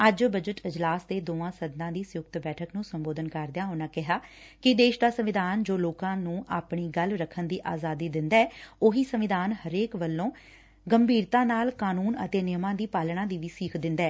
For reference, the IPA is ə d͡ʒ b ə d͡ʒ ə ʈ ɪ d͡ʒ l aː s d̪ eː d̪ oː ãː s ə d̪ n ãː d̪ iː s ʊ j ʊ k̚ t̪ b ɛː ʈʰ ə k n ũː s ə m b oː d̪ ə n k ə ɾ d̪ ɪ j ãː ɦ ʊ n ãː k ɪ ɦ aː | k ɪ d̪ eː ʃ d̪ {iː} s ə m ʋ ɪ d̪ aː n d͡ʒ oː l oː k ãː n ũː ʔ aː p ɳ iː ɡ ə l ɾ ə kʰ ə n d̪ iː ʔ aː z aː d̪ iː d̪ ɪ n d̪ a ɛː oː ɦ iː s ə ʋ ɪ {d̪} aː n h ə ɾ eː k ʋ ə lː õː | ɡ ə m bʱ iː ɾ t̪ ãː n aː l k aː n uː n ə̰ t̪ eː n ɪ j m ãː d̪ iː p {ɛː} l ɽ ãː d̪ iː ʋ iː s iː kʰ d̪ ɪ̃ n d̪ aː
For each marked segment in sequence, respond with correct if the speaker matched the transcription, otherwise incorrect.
incorrect: aː, correct, incorrect: aː

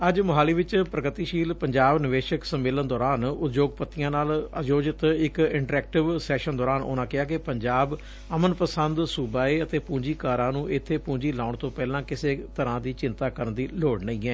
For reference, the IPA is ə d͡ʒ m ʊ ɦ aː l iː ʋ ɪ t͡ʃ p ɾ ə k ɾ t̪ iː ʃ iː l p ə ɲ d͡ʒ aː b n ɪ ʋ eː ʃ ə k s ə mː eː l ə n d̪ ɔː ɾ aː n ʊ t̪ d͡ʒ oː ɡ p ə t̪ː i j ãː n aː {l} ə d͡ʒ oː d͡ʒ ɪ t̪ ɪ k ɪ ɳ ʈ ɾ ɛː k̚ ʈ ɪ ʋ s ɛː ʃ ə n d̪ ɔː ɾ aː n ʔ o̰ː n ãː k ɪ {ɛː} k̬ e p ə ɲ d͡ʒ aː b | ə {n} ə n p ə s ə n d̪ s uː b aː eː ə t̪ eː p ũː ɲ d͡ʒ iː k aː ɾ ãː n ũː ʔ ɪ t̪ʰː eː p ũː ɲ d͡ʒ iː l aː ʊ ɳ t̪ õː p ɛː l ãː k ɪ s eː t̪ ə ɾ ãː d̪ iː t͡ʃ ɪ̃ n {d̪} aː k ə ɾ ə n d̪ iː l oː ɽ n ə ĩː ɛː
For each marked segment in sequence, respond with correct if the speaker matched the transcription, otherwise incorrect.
correct, incorrect: aː, incorrect: m, incorrect: t̪

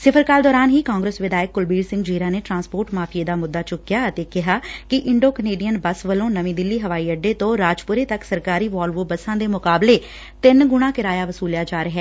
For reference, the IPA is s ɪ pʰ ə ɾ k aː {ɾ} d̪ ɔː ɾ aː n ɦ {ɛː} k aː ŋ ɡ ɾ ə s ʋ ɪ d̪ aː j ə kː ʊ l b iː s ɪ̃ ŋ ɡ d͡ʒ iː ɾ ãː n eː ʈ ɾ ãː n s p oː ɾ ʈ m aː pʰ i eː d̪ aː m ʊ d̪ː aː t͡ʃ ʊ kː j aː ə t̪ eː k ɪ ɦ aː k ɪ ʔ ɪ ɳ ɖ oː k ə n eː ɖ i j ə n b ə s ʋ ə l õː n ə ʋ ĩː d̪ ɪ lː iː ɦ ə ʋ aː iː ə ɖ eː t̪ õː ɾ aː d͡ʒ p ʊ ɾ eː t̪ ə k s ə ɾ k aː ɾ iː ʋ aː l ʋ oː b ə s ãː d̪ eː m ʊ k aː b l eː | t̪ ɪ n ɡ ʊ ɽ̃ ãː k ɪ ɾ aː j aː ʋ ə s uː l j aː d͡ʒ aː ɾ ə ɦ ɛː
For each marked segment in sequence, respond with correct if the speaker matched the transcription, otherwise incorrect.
incorrect: l, incorrect: iː

